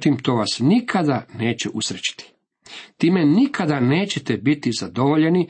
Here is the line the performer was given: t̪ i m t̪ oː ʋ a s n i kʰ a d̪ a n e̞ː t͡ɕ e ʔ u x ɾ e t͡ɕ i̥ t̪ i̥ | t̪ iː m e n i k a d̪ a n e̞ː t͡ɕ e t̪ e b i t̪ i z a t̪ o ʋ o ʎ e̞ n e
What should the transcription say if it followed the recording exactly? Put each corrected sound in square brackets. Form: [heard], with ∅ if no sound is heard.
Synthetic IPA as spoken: t̪ i m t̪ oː ʋ a s n i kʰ a d̪ a n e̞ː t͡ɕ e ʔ u [s] ɾ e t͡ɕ i̥ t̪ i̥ | t̪ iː m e n i k a d̪ a n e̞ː t͡ɕ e t̪ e b i t̪ i z a [d̪] o ʋ o ʎ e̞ n [i]